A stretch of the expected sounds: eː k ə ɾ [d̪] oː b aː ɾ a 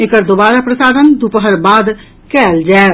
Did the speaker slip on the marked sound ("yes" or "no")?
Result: no